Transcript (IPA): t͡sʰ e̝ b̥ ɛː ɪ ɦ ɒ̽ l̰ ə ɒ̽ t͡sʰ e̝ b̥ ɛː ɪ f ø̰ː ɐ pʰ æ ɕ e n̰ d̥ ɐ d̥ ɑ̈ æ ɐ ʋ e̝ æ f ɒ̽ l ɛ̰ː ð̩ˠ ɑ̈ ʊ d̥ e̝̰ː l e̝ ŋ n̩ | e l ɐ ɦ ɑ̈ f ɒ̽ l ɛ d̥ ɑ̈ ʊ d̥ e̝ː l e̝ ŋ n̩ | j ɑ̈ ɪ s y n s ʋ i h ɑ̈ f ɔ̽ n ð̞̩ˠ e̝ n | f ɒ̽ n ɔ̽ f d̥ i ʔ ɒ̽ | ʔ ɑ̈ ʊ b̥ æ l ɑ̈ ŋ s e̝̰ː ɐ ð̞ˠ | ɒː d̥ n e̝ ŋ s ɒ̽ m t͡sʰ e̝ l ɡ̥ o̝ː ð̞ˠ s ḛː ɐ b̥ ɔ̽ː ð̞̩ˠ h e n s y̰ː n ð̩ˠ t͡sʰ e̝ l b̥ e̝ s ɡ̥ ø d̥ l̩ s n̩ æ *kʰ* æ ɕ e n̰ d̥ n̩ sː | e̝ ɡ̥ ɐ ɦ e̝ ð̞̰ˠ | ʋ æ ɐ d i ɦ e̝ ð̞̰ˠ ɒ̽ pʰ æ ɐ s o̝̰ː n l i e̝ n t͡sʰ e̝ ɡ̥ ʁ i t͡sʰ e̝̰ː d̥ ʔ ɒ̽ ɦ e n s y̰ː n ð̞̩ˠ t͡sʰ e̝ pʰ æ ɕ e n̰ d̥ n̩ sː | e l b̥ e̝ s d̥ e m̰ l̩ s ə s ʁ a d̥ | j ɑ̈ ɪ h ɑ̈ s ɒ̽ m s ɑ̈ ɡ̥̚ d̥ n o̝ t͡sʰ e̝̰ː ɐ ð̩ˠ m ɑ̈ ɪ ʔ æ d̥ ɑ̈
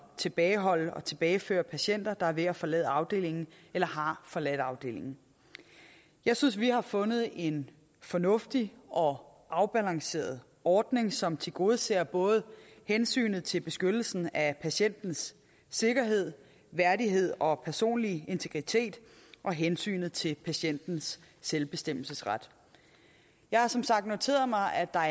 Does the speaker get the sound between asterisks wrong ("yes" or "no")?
yes